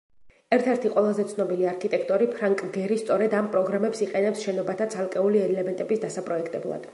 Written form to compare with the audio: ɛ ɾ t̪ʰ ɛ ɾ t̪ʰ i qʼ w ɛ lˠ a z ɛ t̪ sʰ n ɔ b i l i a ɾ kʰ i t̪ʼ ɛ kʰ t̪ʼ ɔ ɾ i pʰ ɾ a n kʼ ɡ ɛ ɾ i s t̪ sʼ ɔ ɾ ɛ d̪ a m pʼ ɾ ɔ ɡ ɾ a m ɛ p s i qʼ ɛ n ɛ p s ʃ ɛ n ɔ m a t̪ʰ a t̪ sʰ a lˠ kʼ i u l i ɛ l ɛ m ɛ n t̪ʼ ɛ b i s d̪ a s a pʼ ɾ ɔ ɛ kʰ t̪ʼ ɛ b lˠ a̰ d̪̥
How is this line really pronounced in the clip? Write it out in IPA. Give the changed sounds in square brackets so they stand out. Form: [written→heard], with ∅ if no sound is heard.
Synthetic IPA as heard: ɛ ɾ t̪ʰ ɛ ɾ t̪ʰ i qʼ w ɛ lˠ a z ɛ t̪ sʰ n ɔ b i l i a ɾ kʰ i t̪ʼ ɛ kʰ t̪ʼ ɔ ɾ i pʰ ɾ a [n→ŋ] kʼ ɡ ɛ ɾ i s t̪ sʼ ɔ ɾ ɛ d̪ a m pʼ ɾ ɔ ɡ ɾ a m ɛ p s i qʼ ɛ n ɛ p s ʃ ɛ n ɔ [m→b] a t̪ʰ a t̪ sʰ a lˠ kʼ [i→ɛ] u l i ɛ l ɛ m ɛ n t̪ʼ ɛ b i s d̪ a s a pʼ ɾ ɔ ɛ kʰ t̪ʼ ɛ b lˠ a̰ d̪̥